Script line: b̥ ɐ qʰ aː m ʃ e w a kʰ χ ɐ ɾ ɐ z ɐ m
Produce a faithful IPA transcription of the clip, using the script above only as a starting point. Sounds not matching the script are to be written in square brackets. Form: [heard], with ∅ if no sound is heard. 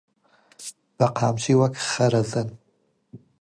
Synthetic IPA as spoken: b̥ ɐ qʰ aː m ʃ [i] w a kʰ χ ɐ ɾ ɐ z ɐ [n]